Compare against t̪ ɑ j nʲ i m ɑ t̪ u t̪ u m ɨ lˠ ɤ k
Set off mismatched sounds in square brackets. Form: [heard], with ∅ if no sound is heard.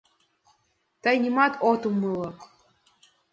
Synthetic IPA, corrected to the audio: t̪ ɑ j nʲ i m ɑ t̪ [o] t̪ u m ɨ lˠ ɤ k